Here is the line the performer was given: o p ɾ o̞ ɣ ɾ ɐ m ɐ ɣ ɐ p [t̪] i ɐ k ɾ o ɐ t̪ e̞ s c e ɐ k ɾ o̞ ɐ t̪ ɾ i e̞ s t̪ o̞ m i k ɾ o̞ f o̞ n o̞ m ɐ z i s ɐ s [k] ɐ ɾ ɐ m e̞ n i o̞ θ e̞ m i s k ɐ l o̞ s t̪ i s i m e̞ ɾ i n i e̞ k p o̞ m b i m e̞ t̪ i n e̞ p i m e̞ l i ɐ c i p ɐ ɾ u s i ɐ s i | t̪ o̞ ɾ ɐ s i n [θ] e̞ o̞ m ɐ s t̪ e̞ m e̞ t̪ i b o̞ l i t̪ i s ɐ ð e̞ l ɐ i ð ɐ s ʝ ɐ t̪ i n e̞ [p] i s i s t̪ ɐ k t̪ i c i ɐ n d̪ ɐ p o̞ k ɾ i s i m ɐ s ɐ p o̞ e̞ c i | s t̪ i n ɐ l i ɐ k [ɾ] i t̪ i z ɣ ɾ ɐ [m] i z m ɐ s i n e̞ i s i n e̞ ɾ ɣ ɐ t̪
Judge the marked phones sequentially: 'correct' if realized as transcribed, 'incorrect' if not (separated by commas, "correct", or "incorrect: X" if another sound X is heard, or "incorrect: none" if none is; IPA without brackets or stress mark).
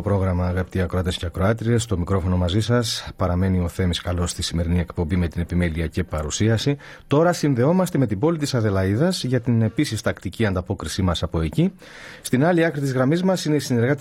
correct, incorrect: p, incorrect: ð, correct, correct, correct